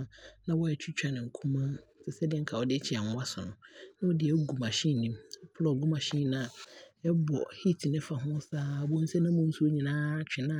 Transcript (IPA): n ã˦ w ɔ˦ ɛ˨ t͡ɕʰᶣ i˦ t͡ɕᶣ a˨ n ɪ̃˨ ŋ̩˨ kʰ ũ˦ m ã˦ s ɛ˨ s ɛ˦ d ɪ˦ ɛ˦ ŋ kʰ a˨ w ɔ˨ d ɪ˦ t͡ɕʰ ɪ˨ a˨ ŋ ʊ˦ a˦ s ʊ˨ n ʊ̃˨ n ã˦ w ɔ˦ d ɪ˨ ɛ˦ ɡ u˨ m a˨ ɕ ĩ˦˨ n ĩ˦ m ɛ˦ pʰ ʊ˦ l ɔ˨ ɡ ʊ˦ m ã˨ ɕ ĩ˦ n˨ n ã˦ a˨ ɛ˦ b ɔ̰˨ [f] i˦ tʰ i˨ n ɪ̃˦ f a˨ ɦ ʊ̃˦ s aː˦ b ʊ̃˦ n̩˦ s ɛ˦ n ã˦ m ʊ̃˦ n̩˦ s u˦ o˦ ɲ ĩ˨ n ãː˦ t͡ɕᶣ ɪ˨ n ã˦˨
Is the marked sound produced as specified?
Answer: no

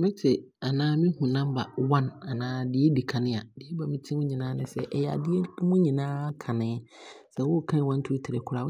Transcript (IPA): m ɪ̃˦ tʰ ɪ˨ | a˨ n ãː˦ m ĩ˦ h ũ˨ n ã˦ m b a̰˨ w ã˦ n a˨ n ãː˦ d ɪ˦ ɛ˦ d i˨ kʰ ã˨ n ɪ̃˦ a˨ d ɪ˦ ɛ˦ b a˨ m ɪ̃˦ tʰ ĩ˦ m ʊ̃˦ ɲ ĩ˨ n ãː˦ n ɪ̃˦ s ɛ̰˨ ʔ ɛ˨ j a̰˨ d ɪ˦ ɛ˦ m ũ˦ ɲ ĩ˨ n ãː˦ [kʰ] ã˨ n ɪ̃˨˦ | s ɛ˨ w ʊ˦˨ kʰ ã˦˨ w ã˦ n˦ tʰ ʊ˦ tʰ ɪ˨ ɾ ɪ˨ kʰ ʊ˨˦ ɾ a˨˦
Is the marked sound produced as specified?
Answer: yes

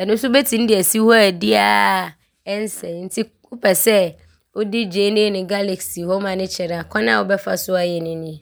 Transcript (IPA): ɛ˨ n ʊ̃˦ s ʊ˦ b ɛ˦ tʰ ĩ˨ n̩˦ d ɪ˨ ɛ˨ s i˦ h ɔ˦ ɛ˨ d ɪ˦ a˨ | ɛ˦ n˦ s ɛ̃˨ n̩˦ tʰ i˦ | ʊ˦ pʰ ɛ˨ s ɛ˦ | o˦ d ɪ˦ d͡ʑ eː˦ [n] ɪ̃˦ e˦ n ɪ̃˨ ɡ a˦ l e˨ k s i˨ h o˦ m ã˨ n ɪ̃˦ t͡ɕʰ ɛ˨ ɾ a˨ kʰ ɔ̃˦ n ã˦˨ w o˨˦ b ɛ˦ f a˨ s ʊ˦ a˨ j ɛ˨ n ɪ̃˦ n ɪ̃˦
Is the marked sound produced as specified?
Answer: yes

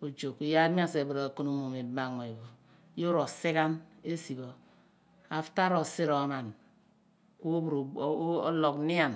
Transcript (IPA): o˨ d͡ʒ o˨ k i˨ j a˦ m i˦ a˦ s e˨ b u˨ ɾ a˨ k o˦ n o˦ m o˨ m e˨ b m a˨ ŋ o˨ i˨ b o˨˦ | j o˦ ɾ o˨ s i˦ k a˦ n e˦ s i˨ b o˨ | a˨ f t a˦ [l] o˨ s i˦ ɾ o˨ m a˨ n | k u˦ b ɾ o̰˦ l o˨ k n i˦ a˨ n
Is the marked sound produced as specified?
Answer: no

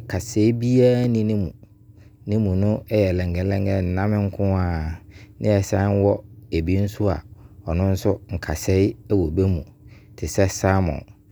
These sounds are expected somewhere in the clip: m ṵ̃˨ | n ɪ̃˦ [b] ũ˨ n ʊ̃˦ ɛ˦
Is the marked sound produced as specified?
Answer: no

